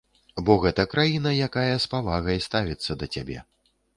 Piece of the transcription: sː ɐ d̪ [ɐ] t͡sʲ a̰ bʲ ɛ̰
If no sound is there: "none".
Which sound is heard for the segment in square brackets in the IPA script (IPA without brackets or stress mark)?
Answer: ɐ